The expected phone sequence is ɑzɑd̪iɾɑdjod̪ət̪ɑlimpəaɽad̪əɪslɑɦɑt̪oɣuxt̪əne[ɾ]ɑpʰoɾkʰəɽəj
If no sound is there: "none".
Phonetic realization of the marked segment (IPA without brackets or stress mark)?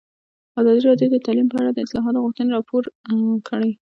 ɾ